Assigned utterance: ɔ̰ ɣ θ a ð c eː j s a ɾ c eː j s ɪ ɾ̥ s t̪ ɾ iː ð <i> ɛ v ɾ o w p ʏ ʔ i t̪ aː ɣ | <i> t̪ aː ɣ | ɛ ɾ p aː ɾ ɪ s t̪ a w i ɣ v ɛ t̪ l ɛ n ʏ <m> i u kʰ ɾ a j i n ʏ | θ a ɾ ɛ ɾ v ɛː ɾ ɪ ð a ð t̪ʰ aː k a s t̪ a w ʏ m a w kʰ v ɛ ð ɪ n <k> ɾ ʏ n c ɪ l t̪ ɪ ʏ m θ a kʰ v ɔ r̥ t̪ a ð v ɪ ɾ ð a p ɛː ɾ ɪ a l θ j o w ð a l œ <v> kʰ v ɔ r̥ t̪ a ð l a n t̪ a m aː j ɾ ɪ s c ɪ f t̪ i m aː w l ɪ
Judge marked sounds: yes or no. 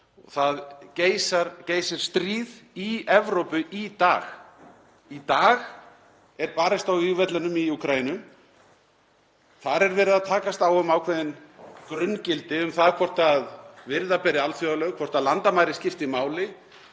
yes, yes, yes, yes, no

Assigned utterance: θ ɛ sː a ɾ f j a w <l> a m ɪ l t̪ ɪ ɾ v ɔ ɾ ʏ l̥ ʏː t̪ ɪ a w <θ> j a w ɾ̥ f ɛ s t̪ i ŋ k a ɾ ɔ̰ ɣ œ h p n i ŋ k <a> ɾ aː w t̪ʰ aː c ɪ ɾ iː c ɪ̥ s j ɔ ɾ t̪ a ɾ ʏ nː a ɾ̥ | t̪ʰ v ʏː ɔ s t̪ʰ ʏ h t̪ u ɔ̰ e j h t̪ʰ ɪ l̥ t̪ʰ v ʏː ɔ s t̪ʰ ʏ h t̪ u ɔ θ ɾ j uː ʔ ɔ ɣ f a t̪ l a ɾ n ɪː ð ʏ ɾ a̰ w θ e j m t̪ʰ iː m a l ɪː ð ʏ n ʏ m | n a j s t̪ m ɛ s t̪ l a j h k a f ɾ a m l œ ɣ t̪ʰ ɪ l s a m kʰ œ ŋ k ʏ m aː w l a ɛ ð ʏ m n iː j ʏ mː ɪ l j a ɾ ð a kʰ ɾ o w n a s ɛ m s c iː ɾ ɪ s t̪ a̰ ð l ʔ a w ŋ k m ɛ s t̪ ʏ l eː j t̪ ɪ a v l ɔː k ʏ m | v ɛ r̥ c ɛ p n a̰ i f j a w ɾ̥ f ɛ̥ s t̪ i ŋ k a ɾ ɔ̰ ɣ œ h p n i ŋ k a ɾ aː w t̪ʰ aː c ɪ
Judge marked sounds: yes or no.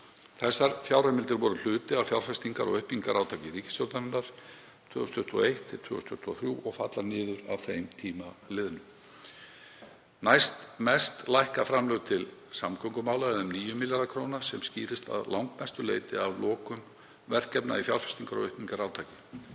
no, no, yes

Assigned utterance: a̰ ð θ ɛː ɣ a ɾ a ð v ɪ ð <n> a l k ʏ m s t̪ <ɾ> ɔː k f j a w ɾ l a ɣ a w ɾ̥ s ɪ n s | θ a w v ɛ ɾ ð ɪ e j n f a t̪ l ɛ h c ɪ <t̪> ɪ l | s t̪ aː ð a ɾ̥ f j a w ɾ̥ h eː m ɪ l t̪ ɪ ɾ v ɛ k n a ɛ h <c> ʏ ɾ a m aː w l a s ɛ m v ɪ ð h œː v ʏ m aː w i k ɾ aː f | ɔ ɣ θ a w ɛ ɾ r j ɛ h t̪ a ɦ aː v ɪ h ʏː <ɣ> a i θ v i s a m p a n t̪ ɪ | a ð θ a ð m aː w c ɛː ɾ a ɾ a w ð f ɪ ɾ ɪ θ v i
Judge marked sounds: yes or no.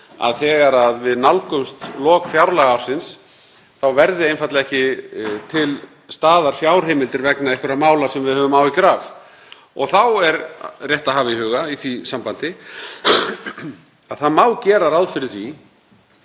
yes, no, no, no, yes

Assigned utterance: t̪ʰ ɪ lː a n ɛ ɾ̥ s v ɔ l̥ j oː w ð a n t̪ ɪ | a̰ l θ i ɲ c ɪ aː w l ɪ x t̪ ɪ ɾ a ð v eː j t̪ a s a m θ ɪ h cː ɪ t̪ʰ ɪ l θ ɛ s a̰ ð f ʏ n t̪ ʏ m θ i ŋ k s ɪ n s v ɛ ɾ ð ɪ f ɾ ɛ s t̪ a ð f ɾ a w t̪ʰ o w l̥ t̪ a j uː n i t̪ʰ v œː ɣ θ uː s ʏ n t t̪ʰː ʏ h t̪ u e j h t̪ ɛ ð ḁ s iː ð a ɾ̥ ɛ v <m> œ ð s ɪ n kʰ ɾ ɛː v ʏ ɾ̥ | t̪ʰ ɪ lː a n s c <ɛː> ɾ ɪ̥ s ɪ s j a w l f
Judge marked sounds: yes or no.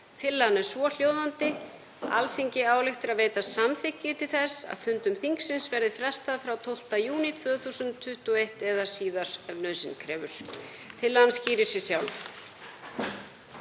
no, no

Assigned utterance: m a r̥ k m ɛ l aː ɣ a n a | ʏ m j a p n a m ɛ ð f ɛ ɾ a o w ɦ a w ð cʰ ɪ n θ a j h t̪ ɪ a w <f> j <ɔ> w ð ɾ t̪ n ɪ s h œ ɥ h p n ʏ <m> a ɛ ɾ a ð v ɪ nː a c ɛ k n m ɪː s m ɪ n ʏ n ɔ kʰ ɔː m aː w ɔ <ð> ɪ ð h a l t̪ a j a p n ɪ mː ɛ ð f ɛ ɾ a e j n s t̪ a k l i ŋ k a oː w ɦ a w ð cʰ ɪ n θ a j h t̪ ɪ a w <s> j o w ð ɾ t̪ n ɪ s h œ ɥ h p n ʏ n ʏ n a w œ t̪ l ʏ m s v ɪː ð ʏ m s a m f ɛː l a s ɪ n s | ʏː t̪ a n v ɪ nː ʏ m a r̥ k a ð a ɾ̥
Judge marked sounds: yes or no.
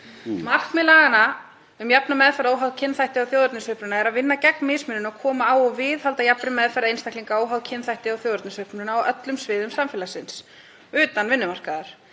no, no, no, no, no

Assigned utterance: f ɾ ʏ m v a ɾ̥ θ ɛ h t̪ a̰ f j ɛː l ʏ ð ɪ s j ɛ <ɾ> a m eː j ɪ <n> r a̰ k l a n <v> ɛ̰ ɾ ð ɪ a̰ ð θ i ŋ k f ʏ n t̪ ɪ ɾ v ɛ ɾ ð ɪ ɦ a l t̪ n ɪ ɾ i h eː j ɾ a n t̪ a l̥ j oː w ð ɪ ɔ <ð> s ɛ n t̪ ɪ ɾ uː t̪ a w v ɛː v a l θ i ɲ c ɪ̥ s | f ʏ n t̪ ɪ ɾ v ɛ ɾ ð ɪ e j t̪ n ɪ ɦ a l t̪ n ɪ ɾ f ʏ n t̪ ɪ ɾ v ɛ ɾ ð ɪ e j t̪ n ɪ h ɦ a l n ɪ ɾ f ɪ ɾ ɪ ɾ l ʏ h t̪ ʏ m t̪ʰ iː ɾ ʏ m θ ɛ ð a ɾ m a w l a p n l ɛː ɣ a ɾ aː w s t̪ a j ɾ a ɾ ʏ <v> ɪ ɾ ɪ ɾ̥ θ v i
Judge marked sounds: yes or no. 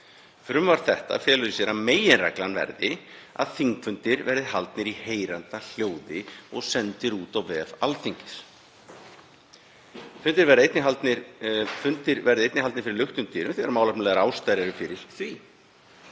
yes, yes, yes, no, no

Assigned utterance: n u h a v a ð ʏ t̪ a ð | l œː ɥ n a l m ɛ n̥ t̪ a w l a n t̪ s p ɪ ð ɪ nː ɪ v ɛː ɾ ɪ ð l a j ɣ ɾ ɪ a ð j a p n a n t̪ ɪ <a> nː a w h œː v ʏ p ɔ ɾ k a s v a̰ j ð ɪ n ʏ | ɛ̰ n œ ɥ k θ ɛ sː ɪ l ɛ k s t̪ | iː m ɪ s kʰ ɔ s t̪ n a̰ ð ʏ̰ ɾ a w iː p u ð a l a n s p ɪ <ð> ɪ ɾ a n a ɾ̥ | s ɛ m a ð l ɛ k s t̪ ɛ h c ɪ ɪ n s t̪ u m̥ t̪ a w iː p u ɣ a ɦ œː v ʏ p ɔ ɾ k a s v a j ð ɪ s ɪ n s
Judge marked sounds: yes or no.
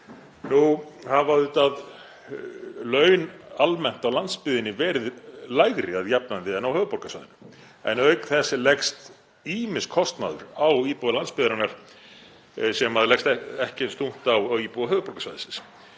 no, yes

